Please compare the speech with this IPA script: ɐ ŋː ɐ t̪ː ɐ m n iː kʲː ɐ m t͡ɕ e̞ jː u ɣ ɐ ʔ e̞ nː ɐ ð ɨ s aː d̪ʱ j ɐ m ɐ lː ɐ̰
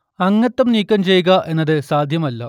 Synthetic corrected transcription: ɐ ŋː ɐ t̪ː ɐ m n iː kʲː ɐ m t͡ɕ e̞ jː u ɣ ɐ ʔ e̞ nː ɐ ð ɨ s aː d̪ʱ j ɐ m ɐ lː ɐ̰

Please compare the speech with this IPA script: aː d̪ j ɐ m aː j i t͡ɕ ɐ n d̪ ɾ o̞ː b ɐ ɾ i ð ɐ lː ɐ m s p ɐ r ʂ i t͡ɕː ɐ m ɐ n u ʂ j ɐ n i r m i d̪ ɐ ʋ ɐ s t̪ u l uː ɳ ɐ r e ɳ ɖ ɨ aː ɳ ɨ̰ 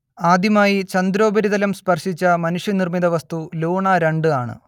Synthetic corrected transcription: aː d̪ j ɐ m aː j i t͡ɕ ɐ n d̪ ɾ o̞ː b ɐ ɾ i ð ɐ l ɐ m s p ɐ r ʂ i t͡ɕː ɐ m ɐ n u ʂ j ɐ n i r m i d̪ ɐ ʋ ɐ s t̪ u l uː ɳ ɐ ɾ e ɳ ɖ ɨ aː ɳ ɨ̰

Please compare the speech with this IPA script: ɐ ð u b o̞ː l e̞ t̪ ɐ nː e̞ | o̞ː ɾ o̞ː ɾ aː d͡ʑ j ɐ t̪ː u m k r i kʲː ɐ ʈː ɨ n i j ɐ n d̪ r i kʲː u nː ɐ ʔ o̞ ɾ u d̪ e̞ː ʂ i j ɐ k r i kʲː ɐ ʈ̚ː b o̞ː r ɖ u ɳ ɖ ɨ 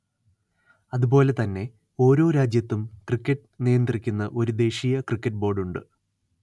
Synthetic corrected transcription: ɐ ð u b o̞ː l e̞ t̪ ɐ nː e̞ | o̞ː ɾ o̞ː ɾ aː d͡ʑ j ɐ t̪ː u m k r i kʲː ɐ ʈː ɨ n i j ɐ n d̪ r i kʲː u nː ɐ ʔ o̞ ɾ u d̪ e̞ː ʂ i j ɐ k r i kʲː ɐ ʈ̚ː b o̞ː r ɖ u ɳ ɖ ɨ

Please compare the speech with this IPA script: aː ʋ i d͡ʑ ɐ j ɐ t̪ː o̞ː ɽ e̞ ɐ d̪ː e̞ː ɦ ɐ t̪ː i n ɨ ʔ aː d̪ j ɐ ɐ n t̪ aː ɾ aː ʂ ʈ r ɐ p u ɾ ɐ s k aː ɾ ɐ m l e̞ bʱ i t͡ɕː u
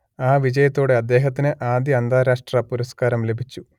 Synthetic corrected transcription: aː ʋ i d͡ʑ ɐ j ɐ t̪ː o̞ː ɽ e̞ ɐ d̪ː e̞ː ɦ ɐ t̪ː i n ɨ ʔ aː d̪ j ɐ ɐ n d̪ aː ɾ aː ʂ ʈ r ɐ p u ɾ ɐ s k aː ɾ ɐ m l e̞ bʱ i t͡ɕː u

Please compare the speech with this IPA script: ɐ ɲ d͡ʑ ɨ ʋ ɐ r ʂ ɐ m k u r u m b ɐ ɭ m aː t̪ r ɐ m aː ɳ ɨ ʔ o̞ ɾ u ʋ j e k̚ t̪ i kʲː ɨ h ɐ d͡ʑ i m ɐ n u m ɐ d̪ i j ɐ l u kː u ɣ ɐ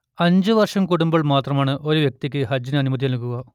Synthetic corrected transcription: ɐ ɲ d͡ʑ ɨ ʋ ɐ r ʂ ɐ m k u ɽ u m b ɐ ɭ m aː t̪ r ɐ m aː ɳ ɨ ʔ o̞ ɾ u ʋ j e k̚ t̪ i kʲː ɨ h ɐ d͡ʑ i n ɐ n u m ɐ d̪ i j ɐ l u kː u ɣ ɐ

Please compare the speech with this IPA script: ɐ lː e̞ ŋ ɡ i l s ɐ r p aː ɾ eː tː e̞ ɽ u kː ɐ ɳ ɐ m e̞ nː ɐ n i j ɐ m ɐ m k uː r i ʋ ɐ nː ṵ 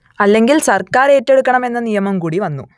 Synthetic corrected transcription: ɐ lː e̞ ŋ ɡ i l s ɐ r k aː ɾ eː tː e̞ ɽ u kː ɐ ɳ ɐ m e̞ nː ɐ n i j ɐ m ɐ m k uː ɽ i ʋ ɐ nː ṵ

